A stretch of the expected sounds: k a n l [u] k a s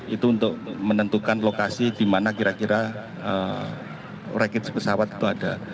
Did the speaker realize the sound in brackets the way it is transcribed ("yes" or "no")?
no